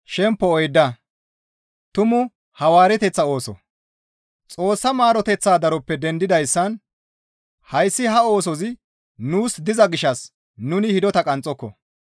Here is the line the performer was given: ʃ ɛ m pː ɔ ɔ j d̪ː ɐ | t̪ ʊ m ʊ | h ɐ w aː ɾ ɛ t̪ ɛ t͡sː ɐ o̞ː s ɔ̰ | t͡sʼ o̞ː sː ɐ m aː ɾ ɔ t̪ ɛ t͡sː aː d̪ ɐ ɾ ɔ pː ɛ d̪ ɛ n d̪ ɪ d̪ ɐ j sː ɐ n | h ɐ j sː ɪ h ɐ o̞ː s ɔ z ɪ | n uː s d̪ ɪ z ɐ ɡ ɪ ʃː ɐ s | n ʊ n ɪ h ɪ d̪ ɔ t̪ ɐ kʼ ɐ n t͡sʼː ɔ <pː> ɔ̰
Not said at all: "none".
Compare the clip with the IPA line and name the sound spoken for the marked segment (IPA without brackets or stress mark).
kː